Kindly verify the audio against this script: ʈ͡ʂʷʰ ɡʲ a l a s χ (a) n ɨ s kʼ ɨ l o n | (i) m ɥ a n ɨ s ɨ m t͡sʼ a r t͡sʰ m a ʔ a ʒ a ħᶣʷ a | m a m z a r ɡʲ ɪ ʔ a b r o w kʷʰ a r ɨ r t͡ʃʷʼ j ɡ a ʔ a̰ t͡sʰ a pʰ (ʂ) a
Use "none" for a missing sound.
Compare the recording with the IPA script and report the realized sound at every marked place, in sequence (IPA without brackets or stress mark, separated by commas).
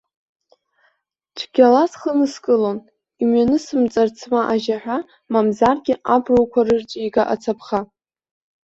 ə, i, χ